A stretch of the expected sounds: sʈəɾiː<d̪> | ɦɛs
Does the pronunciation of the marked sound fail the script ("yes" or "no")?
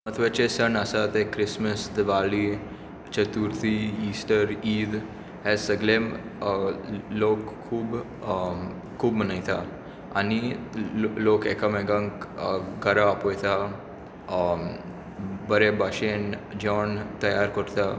no